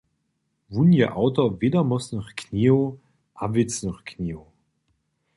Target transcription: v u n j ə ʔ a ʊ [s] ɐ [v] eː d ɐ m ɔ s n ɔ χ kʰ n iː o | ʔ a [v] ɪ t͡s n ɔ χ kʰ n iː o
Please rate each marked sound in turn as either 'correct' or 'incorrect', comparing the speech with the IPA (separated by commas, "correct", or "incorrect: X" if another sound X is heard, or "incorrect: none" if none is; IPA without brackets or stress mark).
incorrect: t, correct, correct